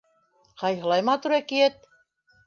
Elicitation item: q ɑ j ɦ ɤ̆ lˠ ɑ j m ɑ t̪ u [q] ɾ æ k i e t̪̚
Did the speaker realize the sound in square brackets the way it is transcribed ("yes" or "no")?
no